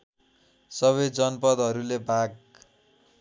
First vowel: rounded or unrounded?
unrounded